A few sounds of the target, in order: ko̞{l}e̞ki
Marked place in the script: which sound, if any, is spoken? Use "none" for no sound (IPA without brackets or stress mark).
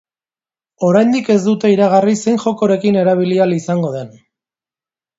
ɾ